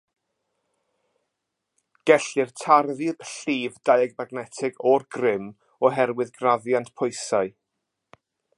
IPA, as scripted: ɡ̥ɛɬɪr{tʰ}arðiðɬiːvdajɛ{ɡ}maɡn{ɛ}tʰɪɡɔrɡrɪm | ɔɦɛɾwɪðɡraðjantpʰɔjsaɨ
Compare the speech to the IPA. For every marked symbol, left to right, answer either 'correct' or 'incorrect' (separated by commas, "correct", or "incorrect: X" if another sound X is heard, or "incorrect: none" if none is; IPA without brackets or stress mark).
correct, correct, correct